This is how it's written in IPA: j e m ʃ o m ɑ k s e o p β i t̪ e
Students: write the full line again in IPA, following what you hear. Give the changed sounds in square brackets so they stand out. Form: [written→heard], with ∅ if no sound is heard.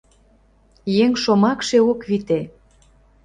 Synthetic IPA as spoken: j e [m→ŋ] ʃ o m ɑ k [s→ʃ] e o [p→k] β i t̪ e